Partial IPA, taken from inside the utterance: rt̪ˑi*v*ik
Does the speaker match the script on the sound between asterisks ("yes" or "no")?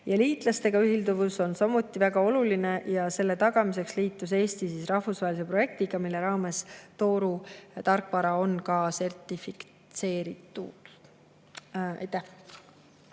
no